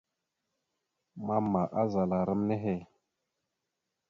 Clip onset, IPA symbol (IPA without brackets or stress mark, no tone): m